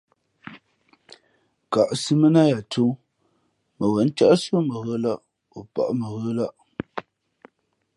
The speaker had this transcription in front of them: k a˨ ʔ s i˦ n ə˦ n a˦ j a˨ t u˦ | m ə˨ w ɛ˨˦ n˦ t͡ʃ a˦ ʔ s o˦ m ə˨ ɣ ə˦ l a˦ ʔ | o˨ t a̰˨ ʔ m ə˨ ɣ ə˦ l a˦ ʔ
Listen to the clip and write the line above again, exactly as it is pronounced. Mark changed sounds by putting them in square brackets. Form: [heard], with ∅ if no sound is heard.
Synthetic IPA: k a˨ ʔ s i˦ [m] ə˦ n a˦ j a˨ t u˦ | m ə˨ w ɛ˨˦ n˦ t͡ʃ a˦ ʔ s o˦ m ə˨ ɣ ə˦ l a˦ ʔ | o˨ [p] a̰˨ ʔ m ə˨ ɣ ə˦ l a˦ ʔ